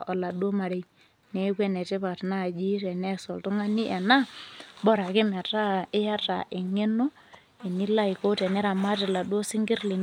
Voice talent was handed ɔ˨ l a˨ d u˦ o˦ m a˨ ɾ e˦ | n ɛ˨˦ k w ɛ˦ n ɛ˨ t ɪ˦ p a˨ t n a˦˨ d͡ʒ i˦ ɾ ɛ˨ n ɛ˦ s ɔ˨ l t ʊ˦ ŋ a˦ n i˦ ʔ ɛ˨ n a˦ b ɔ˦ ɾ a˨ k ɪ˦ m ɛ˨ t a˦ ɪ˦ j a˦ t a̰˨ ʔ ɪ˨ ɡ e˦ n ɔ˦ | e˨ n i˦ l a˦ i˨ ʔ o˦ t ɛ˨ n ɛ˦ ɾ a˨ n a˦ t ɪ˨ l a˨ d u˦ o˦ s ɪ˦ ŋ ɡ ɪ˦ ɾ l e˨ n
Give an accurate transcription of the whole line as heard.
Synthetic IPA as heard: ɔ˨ l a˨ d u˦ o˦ m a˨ ɾ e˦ | n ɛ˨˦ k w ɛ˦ n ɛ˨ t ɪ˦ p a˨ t n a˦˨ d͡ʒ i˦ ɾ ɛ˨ n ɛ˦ s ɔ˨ l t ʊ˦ ŋ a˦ n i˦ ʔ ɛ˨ n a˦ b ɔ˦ ɾ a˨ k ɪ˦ m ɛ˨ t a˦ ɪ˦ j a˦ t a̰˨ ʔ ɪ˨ ŋ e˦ n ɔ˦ | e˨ n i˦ l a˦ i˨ k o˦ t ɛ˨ n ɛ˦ ɾ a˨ m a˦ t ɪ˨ l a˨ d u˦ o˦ s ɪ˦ ŋ ɡ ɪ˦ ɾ l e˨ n